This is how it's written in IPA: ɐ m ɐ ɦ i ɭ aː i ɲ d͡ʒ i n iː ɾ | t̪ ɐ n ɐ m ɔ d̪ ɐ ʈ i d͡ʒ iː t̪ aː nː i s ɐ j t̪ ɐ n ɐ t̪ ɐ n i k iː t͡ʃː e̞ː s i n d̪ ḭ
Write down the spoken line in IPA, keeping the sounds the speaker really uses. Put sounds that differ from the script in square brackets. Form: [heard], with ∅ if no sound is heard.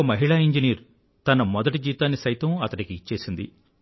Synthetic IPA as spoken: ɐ m ɐ ɦ i ɭ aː i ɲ d͡ʒ i n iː ɾ | t̪ ɐ n ɐ m ɔ d̪ ɐ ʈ i d͡ʒ iː t̪ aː nː i s ɐ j t̪ ɐ [m] ɐ t̪ ɐ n i k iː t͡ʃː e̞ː s i n d̪ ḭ